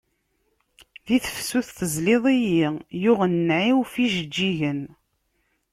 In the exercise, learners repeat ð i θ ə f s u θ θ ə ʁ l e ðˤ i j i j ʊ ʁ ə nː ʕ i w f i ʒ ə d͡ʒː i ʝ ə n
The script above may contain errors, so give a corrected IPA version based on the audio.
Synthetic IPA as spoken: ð i θ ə f s u θ θ ə z l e ðˤ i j i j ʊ ʁ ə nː ʕ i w f i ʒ ə d͡ʒː i ʝ ə n